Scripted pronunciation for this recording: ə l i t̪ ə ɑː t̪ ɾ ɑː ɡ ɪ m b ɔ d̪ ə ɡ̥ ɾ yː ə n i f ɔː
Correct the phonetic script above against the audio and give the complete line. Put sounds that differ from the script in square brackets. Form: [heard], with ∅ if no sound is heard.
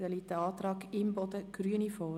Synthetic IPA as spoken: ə l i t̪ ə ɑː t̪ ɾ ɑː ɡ ɪ m b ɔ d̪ ə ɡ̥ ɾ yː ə n i f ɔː